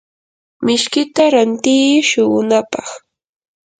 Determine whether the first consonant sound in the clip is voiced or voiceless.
voiced